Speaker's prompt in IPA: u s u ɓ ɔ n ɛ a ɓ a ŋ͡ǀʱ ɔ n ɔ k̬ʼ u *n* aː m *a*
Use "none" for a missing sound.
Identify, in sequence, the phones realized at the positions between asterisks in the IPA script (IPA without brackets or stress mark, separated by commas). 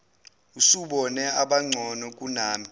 n, i